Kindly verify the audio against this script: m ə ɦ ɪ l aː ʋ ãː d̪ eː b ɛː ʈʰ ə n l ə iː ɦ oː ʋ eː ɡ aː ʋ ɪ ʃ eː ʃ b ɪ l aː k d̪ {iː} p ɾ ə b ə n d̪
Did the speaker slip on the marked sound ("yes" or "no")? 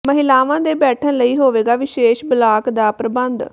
yes